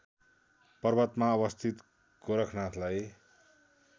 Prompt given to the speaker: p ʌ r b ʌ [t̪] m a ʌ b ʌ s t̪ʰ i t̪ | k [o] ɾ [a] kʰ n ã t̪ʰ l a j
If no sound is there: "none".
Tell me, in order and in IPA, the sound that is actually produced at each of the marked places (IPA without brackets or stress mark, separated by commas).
t̪, o, ʌ